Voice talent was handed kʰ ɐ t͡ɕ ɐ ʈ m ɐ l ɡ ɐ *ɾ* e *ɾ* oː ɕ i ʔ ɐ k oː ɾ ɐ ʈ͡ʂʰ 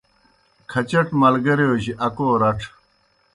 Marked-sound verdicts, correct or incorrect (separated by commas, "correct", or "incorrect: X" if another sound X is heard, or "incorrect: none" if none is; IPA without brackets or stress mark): correct, incorrect: none